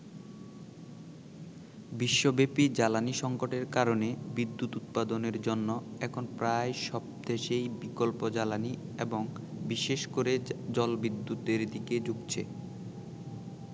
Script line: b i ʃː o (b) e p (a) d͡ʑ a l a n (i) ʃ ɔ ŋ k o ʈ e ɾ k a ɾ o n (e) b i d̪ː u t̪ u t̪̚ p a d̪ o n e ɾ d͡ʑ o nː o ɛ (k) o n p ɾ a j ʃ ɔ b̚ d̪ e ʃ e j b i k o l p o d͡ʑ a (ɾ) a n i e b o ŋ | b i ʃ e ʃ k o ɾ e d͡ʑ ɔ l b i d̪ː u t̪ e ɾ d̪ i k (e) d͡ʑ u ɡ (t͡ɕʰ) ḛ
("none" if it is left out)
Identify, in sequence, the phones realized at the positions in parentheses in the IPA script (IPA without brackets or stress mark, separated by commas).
b, i, i, e, kʰ, l, e, t͡ɕʰ